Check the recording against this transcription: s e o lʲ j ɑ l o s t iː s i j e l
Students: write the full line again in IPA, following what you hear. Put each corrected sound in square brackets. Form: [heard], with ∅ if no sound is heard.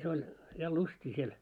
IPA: s e o lʲ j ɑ l [u] s t iː s i [∅] e l